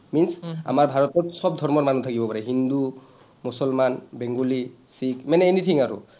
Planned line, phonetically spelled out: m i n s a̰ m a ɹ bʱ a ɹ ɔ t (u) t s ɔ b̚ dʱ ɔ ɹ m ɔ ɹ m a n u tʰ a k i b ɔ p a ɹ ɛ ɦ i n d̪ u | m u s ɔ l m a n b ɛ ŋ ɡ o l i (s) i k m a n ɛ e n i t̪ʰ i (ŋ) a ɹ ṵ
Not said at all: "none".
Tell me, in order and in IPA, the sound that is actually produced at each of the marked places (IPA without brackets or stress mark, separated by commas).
ɔ, s, ŋ